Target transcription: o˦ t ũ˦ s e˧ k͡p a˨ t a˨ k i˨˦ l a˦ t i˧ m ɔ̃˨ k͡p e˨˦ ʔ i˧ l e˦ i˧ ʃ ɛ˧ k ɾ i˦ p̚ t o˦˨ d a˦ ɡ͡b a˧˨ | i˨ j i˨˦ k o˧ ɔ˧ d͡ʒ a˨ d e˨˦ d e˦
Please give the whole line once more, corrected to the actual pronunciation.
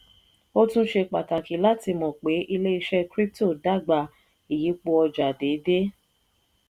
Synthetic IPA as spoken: o˦ t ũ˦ ʃ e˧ k͡p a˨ t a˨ k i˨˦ l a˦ t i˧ m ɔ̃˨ k͡p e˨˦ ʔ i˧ l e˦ i˧ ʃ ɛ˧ k ɾ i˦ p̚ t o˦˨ d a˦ ɡ͡b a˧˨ | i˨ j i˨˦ k͡p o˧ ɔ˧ d͡ʒ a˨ d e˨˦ d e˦